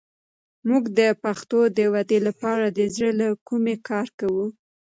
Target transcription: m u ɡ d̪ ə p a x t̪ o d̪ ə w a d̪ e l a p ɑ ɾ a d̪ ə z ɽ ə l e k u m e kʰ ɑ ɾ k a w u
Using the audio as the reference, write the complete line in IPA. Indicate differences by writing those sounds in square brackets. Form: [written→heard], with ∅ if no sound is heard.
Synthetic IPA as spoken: m u ɡ d̪ ə p a x t̪ o d̪ ə w a d̪ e l a p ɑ ɾ a d̪ ə z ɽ ə l [e→a] k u m e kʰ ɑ ɾ k a w u